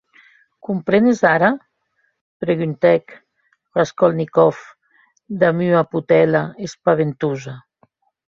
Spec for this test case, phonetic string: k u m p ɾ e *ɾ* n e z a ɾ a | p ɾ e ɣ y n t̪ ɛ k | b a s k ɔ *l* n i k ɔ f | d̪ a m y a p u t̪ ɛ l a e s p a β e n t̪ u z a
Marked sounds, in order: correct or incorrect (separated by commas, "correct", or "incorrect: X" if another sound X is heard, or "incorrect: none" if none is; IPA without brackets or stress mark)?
incorrect: none, correct